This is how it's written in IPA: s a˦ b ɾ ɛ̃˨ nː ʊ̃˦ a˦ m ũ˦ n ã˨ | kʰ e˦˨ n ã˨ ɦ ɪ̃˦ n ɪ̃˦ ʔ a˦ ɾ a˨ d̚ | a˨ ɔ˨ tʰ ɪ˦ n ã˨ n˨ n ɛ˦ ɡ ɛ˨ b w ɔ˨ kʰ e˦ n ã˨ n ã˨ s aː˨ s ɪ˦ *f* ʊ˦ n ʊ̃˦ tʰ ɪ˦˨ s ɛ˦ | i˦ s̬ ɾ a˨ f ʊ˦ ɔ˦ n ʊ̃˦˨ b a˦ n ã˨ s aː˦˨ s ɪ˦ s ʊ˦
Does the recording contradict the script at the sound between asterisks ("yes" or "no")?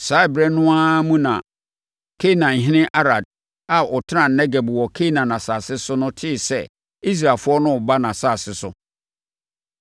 yes